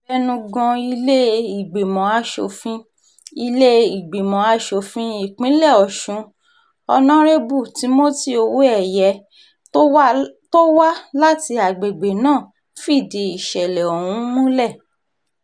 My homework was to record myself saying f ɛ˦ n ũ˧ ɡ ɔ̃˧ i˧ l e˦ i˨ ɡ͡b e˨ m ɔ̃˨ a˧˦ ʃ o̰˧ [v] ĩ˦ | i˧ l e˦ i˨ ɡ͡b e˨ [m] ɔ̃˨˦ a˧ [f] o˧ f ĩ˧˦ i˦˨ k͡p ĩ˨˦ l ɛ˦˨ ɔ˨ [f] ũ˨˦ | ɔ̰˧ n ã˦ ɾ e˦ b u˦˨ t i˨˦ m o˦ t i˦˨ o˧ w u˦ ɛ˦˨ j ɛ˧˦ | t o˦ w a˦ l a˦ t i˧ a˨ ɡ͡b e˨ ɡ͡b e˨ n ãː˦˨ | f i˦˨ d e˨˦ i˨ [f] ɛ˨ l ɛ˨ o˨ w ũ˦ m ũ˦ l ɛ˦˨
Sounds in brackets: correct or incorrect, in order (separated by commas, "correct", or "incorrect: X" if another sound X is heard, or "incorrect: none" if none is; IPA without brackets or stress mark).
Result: incorrect: f, correct, incorrect: ʃ, incorrect: ʃ, incorrect: ʃ